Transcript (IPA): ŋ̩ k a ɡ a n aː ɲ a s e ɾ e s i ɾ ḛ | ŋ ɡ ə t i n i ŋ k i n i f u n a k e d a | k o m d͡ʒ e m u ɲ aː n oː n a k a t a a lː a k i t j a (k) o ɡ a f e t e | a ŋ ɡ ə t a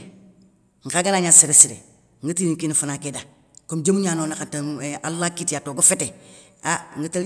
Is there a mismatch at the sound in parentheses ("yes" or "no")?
yes